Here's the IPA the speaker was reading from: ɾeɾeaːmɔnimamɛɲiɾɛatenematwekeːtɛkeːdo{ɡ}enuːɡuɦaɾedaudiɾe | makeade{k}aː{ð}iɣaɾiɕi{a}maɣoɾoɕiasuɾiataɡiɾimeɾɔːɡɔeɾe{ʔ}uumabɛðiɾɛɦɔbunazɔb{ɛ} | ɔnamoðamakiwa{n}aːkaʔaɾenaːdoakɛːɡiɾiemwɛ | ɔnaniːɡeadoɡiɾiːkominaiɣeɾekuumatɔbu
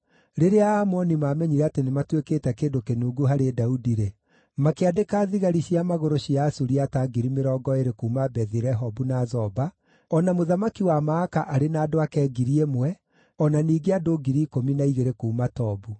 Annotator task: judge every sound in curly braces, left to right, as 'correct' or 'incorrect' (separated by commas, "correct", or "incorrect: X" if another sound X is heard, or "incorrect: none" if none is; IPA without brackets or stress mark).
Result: incorrect: k, correct, correct, correct, incorrect: k, incorrect: a, incorrect: m